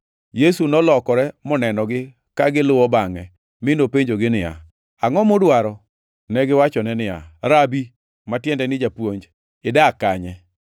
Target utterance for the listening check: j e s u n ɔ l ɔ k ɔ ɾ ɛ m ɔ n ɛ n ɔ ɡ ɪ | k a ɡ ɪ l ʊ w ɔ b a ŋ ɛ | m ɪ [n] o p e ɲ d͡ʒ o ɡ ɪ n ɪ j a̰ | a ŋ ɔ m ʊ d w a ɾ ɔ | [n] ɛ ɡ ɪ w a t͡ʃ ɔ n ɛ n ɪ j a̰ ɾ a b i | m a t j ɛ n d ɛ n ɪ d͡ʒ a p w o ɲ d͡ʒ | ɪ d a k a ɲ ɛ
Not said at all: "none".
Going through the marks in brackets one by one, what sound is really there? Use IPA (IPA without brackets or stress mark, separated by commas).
n, n